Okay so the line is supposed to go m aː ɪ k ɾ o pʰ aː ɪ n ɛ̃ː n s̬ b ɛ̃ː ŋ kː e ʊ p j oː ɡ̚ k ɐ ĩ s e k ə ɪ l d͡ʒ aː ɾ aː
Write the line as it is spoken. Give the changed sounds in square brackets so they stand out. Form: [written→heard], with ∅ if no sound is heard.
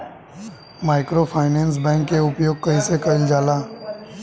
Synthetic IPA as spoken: m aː ɪ k ɾ o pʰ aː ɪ n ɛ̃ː n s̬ b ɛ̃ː ŋ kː e ʊ p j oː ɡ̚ k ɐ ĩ s e k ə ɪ l d͡ʒ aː [ɾ→l] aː